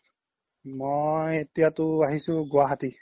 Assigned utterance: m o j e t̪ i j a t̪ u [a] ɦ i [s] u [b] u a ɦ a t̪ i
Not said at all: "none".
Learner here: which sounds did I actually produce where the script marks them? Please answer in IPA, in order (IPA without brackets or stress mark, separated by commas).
a, s, ɡ